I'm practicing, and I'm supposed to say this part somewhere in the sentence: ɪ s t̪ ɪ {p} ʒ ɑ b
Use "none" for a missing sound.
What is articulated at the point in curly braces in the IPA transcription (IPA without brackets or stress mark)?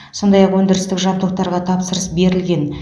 k